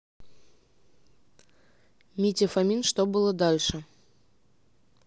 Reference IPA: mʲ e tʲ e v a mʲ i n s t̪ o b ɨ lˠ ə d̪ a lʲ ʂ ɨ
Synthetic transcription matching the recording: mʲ i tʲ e f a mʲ i n ʂ t̪ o b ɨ lˠ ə d̪ a lʲ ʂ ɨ